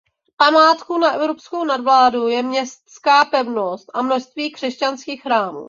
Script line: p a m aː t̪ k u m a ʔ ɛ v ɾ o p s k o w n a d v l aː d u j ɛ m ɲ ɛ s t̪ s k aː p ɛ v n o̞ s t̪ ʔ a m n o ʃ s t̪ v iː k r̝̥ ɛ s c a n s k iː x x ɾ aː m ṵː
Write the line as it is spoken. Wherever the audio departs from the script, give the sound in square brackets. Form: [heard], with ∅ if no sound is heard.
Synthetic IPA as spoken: p a m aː t̪ k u [n] a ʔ ɛ v ɾ o p s k o w n a d v l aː d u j ɛ m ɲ ɛ s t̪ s k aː p ɛ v n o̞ s t̪ ʔ a m n o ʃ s t̪ v iː k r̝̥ ɛ s c a n s k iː x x ɾ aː m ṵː

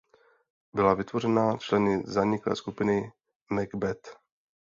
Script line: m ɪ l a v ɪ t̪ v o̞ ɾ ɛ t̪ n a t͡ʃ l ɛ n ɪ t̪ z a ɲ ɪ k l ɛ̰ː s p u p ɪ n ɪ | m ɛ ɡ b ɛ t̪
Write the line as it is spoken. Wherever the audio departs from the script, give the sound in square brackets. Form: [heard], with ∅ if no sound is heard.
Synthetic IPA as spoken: [b] ɪ l a v ɪ t̪ v o̞ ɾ ɛ [∅] n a t͡ʃ l ɛ n ɪ [∅] z a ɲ ɪ k l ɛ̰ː s [k] u p ɪ n ɪ | m ɛ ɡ b ɛ t̪

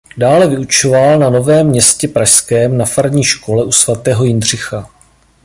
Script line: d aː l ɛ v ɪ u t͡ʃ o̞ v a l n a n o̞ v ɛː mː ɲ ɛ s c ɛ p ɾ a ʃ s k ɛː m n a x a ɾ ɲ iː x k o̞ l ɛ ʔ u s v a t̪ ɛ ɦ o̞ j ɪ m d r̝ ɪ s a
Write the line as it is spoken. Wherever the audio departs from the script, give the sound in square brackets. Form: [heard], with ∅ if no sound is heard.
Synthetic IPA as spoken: d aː l ɛ v ɪ u t͡ʃ o̞ v a l n a n o̞ v ɛː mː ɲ ɛ s c ɛ p ɾ a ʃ s k ɛː m n a [f] a ɾ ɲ iː [ʃ] k o̞ l ɛ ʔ u s v a t̪ [ɛː] ɦ o̞ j ɪ [n] d r̝ ɪ [x] a

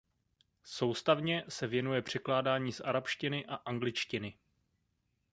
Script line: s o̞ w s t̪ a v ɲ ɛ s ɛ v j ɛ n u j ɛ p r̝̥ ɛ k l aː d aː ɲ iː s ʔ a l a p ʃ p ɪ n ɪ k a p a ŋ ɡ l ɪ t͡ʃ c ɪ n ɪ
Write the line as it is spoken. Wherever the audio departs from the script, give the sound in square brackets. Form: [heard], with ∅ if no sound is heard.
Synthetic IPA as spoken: s o̞ w s t̪ a v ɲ ɛ s ɛ v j ɛ n u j ɛ p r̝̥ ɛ k l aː d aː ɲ iː s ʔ a [ɾ] a p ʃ [c] ɪ n ɪ [ʔ] a [ʔ] a ŋ ɡ l ɪ t͡ʃ c ɪ n ɪ

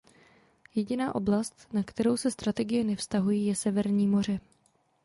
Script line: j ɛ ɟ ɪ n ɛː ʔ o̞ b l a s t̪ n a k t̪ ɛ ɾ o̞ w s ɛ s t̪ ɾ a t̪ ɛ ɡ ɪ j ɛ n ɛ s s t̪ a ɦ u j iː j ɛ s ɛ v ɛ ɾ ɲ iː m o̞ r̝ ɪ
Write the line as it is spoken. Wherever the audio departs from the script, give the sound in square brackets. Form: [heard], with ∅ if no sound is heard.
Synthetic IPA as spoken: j ɛ ɟ ɪ n [aː] ʔ o̞ b l a s t̪ n a k t̪ ɛ ɾ o̞ w s ɛ s t̪ ɾ a t̪ ɛ ɡ ɪ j ɛ n ɛ [f] s t̪ a ɦ u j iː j ɛ s ɛ v ɛ ɾ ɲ iː m o̞ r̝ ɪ

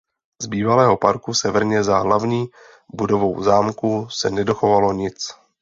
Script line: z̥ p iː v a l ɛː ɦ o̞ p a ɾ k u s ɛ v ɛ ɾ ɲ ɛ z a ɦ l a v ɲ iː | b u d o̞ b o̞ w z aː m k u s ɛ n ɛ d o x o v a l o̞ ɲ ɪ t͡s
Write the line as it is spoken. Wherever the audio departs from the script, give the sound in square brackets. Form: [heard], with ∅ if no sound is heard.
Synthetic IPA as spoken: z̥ [b] iː v a l ɛː ɦ o̞ p a ɾ k u s ɛ v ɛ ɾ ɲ ɛ z a ɦ l a v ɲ iː | b u d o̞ [v] o̞ w z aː m k u s ɛ n ɛ d o x o v a l o̞ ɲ ɪ t͡s

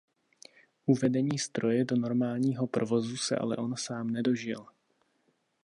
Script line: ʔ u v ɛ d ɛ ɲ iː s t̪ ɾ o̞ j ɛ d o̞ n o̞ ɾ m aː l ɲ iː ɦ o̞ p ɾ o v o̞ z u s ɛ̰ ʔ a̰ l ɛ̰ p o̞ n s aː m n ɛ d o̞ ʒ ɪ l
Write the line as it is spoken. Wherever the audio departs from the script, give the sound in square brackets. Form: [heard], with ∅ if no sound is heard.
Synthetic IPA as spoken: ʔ u v ɛ d ɛ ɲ iː s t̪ ɾ o̞ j ɛ d o̞ n o̞ ɾ m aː l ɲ iː ɦ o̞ p ɾ o v o̞ z u s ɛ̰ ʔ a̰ l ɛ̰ [ʔ] o̞ n s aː m n ɛ d o̞ ʒ ɪ l

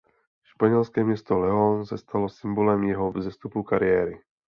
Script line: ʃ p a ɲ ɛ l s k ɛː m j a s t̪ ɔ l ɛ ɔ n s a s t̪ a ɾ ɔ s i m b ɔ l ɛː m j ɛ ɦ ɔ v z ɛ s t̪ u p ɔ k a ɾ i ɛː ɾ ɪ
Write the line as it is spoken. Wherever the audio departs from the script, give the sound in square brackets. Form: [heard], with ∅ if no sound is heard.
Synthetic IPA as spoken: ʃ p a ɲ ɛ l s k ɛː m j [ɛ] s t̪ ɔ l ɛ ɔ n s a s t̪ a [l] ɔ s i m b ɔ l [ɛ] m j ɛ ɦ ɔ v z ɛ s t̪ u p [u] k a ɾ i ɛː ɾ [i]

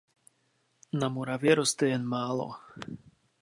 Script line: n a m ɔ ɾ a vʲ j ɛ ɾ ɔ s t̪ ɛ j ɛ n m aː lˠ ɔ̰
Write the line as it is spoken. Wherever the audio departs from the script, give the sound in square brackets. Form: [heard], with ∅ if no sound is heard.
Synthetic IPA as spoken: n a m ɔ ɾ a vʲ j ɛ ɾ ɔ s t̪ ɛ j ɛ n m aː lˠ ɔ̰

